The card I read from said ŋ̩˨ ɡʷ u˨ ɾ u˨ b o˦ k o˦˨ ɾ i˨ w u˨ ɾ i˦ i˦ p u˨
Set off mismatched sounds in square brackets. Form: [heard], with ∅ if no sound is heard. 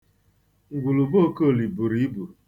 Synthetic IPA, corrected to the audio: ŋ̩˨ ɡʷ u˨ [l] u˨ b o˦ k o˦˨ [l] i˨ [b] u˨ ɾ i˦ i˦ [b] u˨